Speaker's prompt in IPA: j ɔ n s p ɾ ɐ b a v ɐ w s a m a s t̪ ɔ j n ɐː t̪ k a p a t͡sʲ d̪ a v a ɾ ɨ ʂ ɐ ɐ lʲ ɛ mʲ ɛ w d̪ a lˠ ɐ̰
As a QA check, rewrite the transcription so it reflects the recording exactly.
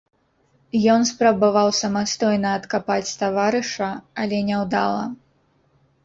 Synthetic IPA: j ɔ n s p ɾ ɐ b a v a w s ɐ m a s t̪ ɔ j n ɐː t̪ k a p a t͡sʲ t̪ a v a ɾ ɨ ʂ ɐ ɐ lʲ ɛ nʲ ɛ w d̪ a lˠ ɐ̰